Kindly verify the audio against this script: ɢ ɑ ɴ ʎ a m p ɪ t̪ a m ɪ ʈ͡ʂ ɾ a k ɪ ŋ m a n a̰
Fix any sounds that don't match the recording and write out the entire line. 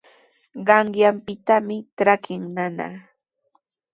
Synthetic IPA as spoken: ɢ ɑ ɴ j a m p ɪ t̪ a m ɪ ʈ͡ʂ ɾ a k ɪ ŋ n a n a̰